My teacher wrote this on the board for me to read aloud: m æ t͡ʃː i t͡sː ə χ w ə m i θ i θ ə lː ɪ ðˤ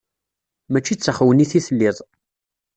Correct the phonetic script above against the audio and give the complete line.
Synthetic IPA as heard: m æ t͡ʃː i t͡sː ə χ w ə n i θ i θ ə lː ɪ ðˤ